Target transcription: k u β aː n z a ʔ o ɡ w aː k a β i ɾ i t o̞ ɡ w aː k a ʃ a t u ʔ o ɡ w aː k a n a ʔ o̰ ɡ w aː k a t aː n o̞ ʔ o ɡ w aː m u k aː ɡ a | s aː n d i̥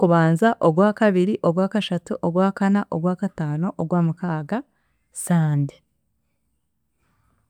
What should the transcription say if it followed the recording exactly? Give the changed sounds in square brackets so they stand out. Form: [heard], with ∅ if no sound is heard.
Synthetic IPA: k u β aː n z a ʔ o ɡ w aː k a β i ɾ i [ʔ] o̞ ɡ w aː k a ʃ a t u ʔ o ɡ w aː k a n a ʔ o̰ ɡ w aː k a t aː n o̞ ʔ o ɡ w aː m u k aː ɡ a | s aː n d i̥